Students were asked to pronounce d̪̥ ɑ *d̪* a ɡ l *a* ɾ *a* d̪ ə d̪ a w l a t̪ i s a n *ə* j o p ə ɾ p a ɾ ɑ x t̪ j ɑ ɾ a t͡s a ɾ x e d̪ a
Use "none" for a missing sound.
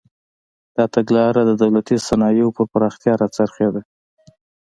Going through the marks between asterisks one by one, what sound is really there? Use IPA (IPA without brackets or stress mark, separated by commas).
t̪, ɑ, a, ɑ